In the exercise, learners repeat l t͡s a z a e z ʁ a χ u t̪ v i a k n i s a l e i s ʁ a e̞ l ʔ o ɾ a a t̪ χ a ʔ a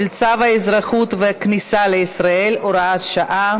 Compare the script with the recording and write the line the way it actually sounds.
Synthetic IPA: l t͡s a v a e z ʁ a χ u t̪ v e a k n i s a l e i s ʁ a e̞ l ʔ o ɾ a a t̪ ʃ a ʔ a